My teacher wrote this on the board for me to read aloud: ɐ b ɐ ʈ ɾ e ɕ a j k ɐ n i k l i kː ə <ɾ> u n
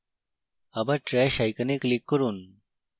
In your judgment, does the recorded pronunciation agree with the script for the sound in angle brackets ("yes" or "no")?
yes